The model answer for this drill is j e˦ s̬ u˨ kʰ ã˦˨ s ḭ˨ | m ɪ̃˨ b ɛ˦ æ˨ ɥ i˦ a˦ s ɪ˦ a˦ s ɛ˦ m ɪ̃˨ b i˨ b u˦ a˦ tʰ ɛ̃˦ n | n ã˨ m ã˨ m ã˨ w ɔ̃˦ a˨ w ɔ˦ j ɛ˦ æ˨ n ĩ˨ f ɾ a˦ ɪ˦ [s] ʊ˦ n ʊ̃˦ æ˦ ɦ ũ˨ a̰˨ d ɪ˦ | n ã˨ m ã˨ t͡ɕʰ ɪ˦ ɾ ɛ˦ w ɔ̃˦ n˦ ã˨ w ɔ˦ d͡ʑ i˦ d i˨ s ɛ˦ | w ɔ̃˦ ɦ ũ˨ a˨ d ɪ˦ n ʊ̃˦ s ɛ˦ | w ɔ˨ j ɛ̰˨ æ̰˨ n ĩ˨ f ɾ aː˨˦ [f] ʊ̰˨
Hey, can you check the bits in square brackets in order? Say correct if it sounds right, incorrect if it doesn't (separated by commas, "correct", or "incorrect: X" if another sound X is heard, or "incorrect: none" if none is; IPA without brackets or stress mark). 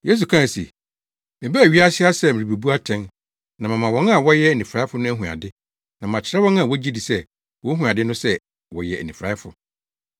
incorrect: f, correct